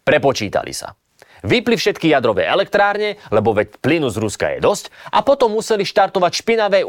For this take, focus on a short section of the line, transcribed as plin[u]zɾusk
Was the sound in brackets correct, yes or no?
yes